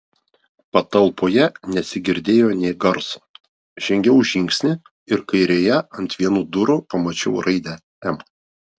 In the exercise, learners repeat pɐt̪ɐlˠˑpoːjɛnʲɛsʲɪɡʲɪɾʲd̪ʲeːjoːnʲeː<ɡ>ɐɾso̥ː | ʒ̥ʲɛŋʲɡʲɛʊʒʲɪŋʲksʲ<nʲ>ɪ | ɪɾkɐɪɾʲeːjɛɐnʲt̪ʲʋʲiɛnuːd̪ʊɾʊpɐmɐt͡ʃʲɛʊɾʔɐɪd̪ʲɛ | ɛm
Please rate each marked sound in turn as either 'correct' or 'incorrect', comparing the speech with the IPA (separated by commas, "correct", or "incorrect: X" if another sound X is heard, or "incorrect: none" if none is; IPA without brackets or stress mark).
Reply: correct, correct